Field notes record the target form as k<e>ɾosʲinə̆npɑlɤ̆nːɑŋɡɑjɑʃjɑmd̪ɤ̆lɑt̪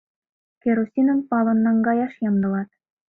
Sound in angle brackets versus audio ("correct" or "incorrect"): correct